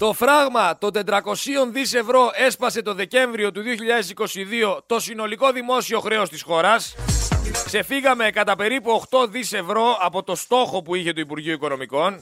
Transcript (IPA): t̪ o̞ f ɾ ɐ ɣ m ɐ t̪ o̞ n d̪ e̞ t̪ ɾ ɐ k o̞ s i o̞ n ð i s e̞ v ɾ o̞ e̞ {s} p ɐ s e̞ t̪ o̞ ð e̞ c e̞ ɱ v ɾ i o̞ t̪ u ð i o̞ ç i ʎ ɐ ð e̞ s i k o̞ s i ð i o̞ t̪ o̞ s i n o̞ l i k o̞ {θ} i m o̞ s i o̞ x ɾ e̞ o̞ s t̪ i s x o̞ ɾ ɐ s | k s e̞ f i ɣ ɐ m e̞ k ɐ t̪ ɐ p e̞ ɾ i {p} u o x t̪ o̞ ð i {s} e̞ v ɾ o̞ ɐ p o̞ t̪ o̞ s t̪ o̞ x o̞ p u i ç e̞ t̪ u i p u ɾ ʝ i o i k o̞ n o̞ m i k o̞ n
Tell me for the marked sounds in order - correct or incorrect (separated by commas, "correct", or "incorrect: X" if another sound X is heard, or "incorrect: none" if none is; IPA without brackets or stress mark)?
correct, incorrect: ð, correct, correct